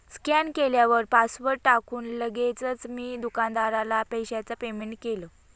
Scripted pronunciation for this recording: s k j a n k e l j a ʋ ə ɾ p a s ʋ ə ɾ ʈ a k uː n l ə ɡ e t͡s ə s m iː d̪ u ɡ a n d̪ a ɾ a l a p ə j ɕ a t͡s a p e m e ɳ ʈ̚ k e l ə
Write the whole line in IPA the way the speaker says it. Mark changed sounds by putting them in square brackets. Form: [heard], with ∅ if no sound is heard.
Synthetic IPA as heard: s k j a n k e l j a ʋ ə ɾ p a s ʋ ə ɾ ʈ a k uː n l ə ɡ e t͡s ə [t͡s] m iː d̪ u [k] a n d̪ a ɾ a l a p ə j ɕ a t͡s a p e m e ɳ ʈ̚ k e l ə